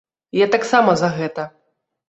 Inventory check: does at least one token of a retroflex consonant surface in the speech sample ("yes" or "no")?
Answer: no